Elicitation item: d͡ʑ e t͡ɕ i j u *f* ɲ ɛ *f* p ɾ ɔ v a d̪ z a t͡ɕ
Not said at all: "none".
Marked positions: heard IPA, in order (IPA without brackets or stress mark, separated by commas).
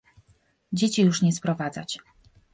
ʂ, s